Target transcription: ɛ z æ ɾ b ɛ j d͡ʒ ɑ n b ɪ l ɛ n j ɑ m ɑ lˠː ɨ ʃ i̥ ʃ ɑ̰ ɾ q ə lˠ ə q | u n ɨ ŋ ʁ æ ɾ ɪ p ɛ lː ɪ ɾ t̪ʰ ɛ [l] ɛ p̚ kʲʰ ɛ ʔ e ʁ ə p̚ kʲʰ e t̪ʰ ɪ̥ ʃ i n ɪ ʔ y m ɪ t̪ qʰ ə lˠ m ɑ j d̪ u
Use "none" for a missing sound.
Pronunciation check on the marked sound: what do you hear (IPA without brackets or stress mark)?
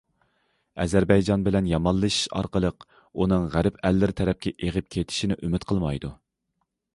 ɾ